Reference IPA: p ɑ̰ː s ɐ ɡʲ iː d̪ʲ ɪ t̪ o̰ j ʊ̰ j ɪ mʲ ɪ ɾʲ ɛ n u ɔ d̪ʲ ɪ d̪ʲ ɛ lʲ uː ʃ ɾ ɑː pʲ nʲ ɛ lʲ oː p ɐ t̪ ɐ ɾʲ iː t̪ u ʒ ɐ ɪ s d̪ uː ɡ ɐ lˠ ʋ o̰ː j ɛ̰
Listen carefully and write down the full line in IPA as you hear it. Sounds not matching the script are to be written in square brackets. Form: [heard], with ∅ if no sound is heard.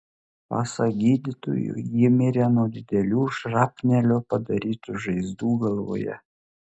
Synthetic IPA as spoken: p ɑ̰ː s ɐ ɡʲ iː d̪ʲ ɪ t̪ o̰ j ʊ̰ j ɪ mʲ ɪ ɾʲ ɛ n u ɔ d̪ʲ ɪ d̪ʲ ɛ lʲ uː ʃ ɾ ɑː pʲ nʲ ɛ lʲ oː p ɐ [d̪] ɐ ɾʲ iː t̪ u ʒ ɐ ɪ [z] d̪ uː ɡ ɐ lˠ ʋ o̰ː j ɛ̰